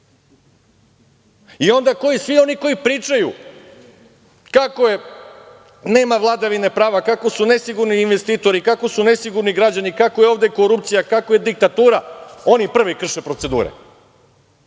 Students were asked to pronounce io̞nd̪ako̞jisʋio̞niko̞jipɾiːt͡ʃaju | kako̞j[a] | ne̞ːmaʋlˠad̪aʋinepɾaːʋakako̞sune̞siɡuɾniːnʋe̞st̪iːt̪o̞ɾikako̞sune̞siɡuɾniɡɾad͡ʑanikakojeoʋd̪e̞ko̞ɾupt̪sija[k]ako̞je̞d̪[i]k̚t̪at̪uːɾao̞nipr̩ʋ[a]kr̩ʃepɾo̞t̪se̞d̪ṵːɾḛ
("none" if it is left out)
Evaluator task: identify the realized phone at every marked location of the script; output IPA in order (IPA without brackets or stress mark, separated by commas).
e, k, i, i